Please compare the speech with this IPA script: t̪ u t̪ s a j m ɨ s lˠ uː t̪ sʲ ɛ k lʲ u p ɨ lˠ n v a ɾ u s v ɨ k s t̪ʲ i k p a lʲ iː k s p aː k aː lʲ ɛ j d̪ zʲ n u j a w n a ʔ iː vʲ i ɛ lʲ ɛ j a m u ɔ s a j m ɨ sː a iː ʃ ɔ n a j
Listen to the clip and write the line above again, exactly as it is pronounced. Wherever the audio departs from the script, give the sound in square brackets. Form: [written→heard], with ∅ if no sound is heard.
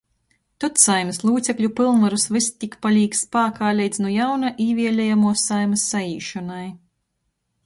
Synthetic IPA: t̪ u t̪ s a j m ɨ s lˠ uː t̪ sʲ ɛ k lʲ u p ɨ lˠ n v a ɾ u s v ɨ [k→∅] s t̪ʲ i k p a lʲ iː k s p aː k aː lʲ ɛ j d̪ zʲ n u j a w n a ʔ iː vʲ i ɛ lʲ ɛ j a m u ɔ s a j m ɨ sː a iː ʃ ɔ n a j